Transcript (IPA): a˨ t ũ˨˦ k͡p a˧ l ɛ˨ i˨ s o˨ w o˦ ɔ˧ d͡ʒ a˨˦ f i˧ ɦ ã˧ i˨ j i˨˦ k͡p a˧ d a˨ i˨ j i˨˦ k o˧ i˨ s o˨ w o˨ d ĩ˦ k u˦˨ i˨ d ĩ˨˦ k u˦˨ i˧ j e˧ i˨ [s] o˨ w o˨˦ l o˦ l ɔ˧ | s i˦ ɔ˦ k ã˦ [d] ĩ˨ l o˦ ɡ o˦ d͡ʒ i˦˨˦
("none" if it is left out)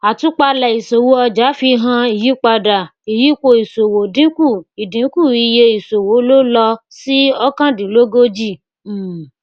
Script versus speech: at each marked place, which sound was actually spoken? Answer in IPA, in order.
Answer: s, d

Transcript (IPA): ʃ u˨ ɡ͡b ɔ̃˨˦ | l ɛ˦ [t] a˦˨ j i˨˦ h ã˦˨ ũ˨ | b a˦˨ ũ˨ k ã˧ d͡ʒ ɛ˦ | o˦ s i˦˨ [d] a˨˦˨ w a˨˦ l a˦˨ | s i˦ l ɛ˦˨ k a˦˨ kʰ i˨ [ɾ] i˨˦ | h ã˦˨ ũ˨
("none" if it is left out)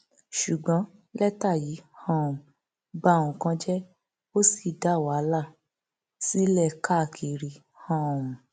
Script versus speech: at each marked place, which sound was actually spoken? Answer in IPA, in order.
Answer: t, d, ɾ

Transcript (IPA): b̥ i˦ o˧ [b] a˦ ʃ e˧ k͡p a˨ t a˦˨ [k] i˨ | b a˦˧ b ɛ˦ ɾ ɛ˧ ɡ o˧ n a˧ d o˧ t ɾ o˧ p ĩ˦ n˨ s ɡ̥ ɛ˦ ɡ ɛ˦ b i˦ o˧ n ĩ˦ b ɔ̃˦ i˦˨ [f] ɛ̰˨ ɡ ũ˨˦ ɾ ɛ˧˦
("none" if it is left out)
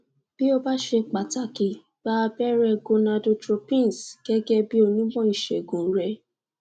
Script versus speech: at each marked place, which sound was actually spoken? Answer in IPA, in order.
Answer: b, k, ʃ

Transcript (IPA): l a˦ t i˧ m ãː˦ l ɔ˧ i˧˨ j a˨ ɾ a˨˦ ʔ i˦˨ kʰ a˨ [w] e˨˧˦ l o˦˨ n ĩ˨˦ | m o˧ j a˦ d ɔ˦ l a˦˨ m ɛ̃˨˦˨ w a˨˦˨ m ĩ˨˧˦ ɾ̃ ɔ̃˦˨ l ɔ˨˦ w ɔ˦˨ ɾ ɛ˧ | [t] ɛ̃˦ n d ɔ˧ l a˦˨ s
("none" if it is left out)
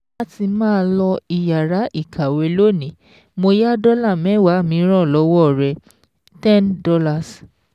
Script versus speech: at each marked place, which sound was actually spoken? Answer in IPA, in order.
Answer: w, t

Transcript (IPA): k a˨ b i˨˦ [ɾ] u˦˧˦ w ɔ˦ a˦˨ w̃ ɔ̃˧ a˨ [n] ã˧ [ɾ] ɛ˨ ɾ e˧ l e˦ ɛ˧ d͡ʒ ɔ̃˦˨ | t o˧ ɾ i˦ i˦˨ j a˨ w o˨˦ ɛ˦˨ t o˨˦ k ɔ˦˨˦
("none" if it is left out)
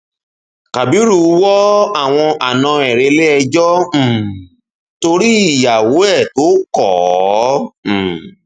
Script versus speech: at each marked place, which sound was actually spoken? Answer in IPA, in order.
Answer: ɾ, n, none

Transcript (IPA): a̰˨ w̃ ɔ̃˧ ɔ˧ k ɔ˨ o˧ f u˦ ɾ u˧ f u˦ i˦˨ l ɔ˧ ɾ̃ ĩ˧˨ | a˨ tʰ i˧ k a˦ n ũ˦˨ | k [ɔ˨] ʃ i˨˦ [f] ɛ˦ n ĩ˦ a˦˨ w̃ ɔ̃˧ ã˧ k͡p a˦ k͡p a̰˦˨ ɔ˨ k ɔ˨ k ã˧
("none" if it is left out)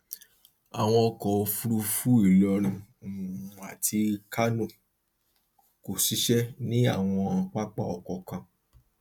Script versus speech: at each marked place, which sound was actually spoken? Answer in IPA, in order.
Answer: o˨, ʃ

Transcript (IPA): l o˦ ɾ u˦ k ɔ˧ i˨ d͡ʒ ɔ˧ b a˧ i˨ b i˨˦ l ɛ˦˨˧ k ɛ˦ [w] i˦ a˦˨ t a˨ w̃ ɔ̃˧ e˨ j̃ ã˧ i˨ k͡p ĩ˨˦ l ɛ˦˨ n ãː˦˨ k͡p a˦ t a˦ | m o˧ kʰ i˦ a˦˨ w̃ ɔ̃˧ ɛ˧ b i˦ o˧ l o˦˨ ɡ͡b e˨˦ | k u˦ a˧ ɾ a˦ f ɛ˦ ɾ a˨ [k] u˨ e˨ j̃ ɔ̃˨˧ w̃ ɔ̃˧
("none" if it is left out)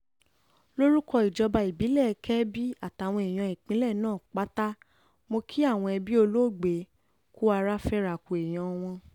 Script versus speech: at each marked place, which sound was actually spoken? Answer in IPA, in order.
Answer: b, k

